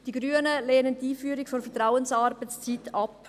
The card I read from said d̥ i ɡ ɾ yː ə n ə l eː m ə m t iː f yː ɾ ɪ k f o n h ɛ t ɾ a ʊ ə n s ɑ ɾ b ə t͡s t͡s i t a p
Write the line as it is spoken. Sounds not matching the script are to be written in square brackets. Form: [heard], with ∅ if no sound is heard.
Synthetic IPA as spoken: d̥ i ɡ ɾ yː ə n ə l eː [n] ə [n] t iː f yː ɾ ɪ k f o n [f] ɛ t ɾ a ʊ ə n s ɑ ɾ b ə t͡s t͡s i t [ɑ] p